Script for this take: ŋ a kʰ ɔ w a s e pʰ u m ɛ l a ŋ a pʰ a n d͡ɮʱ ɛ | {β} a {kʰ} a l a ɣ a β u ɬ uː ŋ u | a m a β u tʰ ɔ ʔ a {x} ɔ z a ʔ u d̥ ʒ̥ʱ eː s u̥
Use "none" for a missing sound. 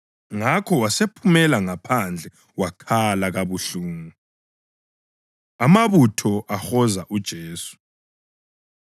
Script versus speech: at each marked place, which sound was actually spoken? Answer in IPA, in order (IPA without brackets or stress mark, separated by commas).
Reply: w, kʰ, x